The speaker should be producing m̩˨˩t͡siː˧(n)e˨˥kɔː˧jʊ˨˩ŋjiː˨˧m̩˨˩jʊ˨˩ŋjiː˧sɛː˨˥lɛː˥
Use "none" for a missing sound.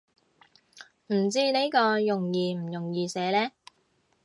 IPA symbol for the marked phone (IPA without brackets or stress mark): n